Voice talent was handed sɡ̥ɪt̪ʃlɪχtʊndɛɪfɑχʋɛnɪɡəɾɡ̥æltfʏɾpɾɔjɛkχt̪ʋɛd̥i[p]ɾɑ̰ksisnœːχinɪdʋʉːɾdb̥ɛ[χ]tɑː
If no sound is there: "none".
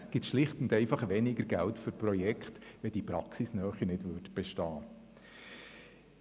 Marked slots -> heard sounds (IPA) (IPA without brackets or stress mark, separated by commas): p, ʃ